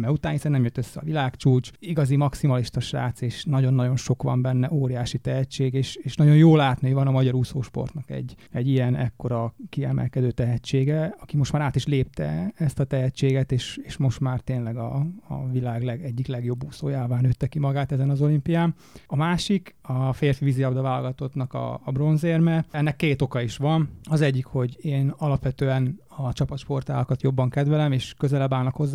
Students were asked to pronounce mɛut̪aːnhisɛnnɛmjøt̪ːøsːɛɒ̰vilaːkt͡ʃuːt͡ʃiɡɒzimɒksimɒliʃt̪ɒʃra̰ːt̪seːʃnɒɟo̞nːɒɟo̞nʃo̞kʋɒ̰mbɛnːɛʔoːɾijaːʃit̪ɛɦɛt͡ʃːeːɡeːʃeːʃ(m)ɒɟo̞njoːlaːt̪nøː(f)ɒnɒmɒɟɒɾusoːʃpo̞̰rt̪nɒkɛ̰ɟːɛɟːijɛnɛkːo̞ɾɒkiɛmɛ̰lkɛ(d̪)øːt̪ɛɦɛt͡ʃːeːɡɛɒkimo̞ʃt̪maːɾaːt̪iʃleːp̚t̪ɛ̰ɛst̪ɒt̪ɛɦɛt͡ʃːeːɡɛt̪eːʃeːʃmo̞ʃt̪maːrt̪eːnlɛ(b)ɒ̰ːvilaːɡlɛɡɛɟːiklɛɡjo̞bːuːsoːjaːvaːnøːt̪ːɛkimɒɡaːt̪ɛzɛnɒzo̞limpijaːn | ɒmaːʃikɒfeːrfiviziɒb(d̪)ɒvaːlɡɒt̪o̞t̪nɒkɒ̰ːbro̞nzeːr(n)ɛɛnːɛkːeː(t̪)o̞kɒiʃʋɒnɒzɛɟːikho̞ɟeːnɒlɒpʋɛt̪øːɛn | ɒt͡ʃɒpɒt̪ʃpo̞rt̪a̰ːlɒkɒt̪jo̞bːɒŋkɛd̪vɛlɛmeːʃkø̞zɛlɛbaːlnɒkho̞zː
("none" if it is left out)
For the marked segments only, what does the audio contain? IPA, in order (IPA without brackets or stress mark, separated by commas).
n, v, d̪, ɡ, d̪, m, t̪